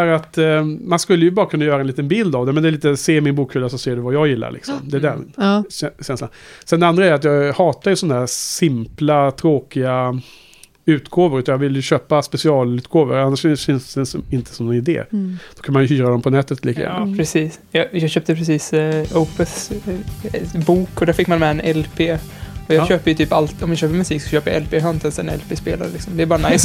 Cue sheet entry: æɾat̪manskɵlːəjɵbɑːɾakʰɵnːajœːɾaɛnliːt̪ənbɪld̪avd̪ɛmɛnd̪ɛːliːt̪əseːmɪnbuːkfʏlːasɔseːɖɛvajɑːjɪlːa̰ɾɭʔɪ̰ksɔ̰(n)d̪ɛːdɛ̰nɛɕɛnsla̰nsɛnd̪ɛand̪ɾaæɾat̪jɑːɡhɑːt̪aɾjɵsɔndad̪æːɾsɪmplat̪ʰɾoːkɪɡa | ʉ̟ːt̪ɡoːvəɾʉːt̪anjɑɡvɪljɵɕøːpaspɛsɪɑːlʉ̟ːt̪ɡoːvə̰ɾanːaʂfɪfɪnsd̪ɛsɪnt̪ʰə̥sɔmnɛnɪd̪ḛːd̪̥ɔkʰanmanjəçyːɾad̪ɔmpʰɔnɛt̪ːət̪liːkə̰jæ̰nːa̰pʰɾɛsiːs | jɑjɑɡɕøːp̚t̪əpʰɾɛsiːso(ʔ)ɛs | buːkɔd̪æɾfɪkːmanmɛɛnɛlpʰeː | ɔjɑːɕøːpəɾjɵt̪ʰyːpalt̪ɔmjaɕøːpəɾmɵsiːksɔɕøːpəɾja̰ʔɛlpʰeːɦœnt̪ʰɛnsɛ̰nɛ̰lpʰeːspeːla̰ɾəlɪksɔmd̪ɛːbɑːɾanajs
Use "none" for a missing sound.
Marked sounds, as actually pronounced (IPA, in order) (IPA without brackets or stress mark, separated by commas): m, p